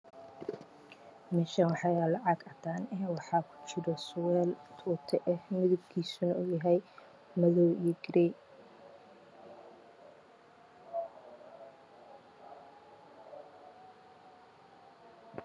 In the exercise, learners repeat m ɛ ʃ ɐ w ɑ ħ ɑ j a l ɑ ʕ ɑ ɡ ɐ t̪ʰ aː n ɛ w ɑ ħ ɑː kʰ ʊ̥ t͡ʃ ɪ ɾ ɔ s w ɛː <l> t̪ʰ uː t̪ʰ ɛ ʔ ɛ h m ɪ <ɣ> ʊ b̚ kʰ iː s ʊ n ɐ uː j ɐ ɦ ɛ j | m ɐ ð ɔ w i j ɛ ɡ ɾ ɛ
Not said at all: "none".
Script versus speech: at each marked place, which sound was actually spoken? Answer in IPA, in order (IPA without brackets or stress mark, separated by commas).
l, ð